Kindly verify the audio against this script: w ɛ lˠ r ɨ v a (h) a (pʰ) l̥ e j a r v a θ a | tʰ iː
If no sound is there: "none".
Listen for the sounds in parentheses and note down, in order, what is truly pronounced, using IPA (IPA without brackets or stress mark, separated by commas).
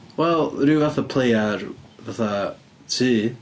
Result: θ, pʰ